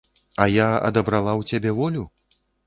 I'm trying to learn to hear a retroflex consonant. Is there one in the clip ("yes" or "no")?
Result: no